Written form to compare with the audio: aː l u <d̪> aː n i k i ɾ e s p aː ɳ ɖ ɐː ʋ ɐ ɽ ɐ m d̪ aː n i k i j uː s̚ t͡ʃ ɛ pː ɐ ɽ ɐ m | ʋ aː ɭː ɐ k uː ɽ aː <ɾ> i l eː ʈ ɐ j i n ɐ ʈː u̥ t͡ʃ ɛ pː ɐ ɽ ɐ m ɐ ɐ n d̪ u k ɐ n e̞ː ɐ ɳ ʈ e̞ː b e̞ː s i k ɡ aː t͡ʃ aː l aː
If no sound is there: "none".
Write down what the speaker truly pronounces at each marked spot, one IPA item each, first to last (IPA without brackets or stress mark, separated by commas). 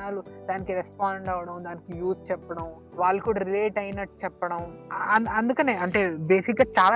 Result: d̪, ɾ